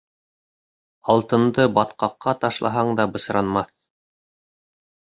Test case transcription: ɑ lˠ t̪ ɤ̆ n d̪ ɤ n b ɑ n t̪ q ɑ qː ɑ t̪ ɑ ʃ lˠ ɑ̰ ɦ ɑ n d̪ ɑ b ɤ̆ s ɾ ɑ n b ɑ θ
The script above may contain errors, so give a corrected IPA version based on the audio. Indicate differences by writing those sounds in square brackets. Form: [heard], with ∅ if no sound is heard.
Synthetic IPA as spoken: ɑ lˠ t̪ ɤ̆ n d̪ ɤ [∅] b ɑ [∅] t̪ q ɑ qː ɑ t̪ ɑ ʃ lˠ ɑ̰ ɦ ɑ [ɴ] d̪ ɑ b ɤ̆ s ɾ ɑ n [m] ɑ θ